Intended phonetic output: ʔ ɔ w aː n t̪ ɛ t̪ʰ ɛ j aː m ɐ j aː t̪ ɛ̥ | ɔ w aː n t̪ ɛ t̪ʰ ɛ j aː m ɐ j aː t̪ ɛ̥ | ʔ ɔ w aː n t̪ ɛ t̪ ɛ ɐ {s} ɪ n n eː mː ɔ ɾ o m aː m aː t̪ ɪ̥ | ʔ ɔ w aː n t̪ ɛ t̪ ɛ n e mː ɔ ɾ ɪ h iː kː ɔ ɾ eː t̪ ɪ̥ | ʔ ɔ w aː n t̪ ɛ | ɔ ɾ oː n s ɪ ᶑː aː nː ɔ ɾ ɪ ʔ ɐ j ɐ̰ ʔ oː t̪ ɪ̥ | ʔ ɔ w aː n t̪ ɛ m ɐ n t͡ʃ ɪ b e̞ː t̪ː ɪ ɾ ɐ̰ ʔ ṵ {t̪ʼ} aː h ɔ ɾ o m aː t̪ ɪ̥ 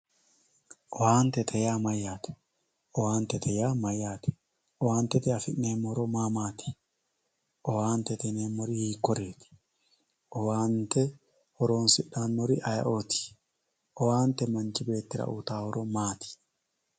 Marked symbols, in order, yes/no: no, no

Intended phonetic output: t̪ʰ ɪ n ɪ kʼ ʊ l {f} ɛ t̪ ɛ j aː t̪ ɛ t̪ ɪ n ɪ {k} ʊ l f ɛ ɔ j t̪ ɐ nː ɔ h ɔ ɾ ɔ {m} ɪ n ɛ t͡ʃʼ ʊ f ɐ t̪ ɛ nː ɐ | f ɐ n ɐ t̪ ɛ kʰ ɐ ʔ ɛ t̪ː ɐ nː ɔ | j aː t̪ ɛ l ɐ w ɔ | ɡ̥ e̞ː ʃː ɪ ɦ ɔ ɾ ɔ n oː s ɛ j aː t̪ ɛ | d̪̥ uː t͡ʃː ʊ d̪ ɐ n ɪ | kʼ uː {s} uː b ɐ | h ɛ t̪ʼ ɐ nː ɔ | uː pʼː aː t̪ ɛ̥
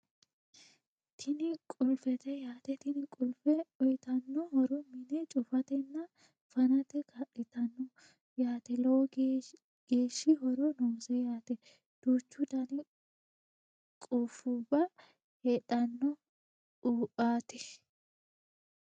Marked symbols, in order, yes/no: yes, no, yes, no

